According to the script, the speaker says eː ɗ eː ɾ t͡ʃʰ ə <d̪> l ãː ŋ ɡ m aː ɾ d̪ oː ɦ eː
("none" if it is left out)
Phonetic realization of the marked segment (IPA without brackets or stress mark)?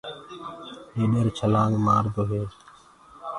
none